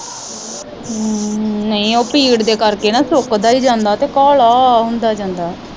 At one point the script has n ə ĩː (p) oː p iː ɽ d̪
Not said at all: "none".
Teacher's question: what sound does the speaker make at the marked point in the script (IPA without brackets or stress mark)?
none